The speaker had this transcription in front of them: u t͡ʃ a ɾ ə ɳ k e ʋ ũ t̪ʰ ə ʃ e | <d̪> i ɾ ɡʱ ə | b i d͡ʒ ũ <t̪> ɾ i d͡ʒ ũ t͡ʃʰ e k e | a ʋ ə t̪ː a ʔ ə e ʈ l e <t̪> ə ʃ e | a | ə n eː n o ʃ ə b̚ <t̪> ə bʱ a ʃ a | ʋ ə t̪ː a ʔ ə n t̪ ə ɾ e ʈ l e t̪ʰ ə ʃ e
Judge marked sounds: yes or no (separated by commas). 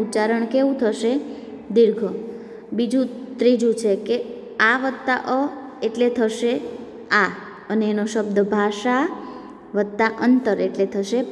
yes, yes, no, no